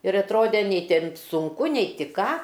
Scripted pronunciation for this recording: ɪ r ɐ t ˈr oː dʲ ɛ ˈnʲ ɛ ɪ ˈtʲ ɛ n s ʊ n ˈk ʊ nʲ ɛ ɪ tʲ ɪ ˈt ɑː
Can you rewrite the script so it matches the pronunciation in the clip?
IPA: ɪ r ɐ t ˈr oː dʲ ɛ ˈnʲ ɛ ɪ ˈtʲ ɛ n s ʊ ŋ ˈk ʊ nʲ ɛ ɪ tʲ ɪ ˈk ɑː